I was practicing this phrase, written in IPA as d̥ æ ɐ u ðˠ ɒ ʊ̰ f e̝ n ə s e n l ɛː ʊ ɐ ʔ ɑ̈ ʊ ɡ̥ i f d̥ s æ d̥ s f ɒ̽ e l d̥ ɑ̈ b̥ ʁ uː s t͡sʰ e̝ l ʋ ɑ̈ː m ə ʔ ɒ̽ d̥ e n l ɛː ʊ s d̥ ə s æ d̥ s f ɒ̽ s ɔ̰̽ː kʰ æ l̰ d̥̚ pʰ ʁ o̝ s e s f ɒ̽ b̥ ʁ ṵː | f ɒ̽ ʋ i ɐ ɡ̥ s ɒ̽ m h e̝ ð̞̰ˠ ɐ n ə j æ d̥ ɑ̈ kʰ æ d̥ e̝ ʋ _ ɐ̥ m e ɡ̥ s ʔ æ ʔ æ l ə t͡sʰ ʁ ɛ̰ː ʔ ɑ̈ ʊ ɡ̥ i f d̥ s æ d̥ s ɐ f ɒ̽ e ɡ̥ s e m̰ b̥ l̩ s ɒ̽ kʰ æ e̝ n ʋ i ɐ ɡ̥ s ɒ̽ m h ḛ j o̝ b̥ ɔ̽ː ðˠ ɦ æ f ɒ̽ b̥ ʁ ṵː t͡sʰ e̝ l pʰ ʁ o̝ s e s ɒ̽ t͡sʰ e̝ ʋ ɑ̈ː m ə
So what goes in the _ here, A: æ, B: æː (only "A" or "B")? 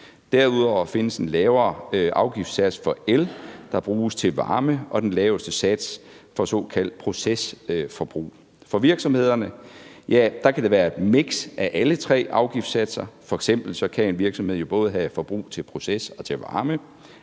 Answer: B